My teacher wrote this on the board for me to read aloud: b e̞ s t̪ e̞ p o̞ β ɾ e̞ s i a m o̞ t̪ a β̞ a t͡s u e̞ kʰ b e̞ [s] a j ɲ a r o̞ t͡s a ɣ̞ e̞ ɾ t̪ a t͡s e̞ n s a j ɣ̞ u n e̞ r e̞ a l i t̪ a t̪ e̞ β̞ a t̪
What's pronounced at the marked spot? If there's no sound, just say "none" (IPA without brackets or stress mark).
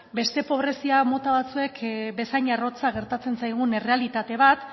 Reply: s